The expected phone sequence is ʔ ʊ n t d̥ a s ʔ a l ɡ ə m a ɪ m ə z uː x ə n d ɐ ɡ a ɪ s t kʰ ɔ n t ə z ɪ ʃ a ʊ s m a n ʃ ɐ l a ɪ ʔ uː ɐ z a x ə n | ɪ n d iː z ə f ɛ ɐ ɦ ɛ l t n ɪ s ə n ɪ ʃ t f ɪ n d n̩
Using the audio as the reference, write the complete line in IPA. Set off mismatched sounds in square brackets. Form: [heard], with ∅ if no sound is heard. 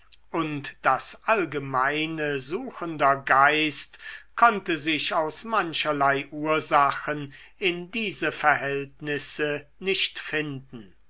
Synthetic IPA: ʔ ʊ n t d̥ a s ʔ a l ɡ ə m a ɪ [n] ə z uː x ə n d ɐ ɡ a ɪ s t kʰ ɔ n t ə z ɪ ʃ a ʊ s m a n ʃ ɐ l a ɪ ʔ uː ɐ z a x ə n | ɪ n d iː z ə f ɛ ɐ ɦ ɛ l t n ɪ s ə n ɪ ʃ t f ɪ n d n̩